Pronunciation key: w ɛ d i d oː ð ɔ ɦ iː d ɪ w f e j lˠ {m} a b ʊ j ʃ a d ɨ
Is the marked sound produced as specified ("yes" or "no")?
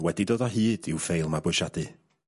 yes